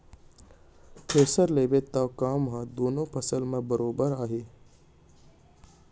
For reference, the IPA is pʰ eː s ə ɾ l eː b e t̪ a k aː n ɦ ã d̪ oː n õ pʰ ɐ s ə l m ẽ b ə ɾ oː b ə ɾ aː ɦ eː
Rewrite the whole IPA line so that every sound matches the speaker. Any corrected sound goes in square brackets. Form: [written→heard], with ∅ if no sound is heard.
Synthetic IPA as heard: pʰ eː s ə ɾ l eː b e t̪ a k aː [n→m] ɦ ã d̪ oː n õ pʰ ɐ s ə l m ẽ b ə ɾ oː b ə ɾ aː ɦ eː